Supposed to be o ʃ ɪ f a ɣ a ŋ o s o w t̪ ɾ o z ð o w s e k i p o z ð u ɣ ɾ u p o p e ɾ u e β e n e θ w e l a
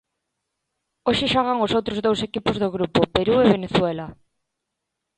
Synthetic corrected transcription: o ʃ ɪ ʃ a ɣ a ŋ o s o w t̪ ɾ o z ð o w s e k i p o z ð o ɣ ɾ u p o p e ɾ u e β e n e θ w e l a